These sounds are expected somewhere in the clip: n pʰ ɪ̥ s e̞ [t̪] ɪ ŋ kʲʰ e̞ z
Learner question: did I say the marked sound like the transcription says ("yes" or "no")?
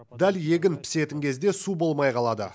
yes